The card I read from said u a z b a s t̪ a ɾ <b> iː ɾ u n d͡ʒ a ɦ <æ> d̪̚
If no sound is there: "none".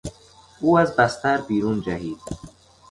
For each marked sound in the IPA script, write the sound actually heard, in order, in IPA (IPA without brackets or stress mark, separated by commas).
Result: b, i